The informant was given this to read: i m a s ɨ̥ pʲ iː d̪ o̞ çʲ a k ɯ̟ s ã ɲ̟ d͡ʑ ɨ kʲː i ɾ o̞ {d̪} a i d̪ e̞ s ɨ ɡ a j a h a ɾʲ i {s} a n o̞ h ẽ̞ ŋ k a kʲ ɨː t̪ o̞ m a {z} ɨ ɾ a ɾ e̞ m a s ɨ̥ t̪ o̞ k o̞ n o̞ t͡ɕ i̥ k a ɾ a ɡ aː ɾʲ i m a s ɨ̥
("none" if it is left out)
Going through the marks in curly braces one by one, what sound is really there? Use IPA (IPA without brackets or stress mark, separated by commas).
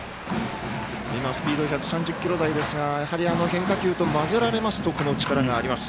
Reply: d̪, none, z